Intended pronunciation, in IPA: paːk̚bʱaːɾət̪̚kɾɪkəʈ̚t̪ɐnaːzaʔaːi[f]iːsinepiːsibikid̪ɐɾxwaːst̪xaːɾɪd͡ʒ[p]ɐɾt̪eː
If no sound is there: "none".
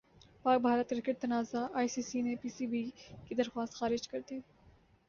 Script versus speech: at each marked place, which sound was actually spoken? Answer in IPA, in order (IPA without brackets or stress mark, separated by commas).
s, k